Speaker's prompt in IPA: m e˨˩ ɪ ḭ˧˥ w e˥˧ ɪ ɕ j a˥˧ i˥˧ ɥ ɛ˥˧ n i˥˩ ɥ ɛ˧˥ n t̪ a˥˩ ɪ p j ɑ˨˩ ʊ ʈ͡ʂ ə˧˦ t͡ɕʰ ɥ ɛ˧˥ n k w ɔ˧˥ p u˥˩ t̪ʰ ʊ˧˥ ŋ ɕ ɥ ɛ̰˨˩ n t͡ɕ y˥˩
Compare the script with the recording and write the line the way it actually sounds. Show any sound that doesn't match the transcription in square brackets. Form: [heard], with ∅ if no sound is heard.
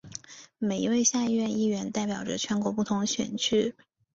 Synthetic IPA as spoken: m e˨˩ ɪ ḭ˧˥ w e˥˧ ɪ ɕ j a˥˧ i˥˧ ɥ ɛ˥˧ n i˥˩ ɥ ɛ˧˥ n t̪ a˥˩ ɪ p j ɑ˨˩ ʊ ʈ͡ʂ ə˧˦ t͡ɕʰ ɥ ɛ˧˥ n k w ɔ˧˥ p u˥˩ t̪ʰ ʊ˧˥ ŋ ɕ ɥ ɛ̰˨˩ n [t͡ɕʰ] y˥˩